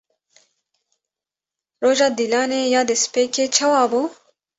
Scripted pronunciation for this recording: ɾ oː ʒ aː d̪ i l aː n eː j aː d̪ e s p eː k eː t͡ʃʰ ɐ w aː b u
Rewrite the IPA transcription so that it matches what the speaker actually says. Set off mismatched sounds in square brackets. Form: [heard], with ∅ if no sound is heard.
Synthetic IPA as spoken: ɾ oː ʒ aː d̪ i l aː n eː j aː d̪ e s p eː k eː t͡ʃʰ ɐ w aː b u